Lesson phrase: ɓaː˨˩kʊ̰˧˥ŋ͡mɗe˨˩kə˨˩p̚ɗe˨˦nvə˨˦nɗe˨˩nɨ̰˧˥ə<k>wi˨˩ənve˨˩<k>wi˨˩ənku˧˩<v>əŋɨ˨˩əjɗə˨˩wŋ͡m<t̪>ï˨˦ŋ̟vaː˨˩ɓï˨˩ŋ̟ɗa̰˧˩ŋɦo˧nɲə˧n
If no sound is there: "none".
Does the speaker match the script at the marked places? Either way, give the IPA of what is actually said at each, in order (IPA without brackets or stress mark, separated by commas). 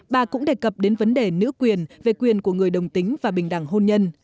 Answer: k, k, none, t̪